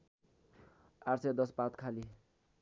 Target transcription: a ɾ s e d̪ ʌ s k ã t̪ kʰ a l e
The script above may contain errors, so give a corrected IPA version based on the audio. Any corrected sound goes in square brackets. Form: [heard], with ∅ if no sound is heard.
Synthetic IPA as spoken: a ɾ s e d̪ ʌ s [p] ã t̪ kʰ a l [i]

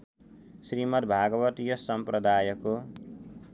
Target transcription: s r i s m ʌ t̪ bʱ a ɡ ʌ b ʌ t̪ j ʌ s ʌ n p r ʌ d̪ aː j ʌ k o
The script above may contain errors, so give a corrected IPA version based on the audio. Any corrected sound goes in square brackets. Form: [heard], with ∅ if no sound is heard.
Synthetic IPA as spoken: s r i [∅] m ʌ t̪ bʱ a ɡ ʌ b ʌ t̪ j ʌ s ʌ [m] p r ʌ d̪ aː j ʌ k o

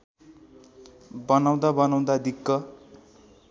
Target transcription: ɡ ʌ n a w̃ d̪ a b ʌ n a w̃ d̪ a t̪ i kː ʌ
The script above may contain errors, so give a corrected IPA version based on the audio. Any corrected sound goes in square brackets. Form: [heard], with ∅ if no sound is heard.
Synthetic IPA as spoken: [b] ʌ n a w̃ d̪ a b ʌ n a w̃ d̪ a [d̪] i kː ʌ

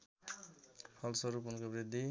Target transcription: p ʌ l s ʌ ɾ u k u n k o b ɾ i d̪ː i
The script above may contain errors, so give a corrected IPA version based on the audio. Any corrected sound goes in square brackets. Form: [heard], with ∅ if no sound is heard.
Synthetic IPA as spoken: [pʰ] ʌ l s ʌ ɾ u [p] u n k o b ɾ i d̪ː i

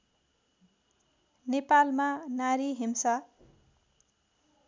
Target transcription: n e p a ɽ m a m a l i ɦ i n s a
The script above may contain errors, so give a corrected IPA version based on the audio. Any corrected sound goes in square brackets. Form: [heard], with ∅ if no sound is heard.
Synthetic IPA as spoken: n e p a [l] m a [n] a [ɾ] i ɦ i [m] s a

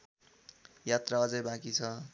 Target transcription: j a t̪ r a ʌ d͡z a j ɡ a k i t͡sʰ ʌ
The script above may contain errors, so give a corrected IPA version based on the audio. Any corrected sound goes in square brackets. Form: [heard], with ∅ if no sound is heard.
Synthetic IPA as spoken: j a t̪ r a ʌ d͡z [ʌ] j [b] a k i t͡sʰ ʌ

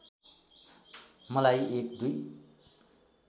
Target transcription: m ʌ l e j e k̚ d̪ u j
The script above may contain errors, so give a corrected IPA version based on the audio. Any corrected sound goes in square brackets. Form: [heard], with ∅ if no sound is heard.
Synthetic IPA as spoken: m ʌ l [a] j e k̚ d̪ u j

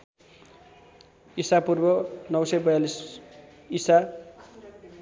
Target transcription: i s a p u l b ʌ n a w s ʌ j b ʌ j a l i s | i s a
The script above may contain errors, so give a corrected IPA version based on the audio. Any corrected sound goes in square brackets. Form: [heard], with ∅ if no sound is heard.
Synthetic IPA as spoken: i s a p u [r] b ʌ n [ʌ] w s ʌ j b ʌ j a l i s | i s a

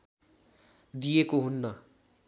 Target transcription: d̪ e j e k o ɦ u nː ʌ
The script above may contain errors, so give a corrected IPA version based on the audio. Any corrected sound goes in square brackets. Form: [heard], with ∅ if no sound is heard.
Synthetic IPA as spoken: d̪ [i] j e k o ɦ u nː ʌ

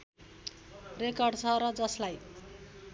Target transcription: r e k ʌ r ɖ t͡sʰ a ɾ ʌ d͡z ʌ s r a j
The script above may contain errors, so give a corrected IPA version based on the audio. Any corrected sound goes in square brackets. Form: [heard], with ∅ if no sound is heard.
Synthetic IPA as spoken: r e k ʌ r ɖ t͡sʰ [ʌ] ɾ ʌ d͡z ʌ s [l] a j

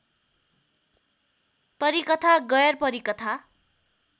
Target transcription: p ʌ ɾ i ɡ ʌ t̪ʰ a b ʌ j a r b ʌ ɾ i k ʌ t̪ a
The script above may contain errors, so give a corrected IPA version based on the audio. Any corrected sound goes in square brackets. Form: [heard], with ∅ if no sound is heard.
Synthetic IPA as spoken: p ʌ ɾ i [k] ʌ t̪ʰ a [ɡ] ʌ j [ʌ] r [p] ʌ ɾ i k ʌ [t̪ʰ] a

